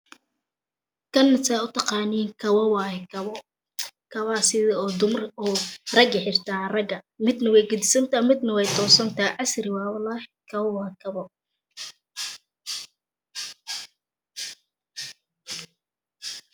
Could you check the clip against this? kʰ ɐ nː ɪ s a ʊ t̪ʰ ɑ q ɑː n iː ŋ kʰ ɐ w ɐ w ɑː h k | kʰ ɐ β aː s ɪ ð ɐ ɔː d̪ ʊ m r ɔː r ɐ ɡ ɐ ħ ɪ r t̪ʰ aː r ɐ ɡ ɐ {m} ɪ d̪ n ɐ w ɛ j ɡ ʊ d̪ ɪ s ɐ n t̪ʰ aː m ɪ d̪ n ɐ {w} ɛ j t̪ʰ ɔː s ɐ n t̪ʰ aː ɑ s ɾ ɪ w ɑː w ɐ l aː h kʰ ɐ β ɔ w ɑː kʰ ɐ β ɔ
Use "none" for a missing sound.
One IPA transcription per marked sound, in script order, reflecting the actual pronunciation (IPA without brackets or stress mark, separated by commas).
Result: m, w